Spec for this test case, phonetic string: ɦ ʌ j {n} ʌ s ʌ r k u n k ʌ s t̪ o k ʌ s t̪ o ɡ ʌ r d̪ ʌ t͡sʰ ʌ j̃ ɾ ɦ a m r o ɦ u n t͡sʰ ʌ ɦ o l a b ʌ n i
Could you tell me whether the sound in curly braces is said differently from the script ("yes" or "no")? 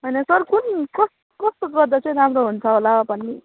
no